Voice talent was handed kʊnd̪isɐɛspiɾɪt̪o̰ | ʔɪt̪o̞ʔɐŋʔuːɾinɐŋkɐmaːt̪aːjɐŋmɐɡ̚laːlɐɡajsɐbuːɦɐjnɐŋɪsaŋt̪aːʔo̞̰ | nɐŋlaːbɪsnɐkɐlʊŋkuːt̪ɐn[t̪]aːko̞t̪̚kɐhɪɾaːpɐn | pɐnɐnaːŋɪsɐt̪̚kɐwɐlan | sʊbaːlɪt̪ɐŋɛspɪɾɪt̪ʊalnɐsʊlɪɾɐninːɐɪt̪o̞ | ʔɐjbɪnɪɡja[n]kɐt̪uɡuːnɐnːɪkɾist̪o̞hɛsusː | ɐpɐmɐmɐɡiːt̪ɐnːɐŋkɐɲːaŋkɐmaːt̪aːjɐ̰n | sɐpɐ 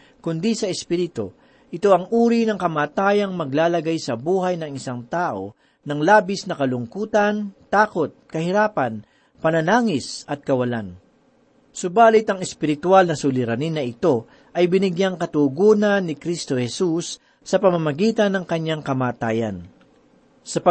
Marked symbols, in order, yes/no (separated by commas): yes, no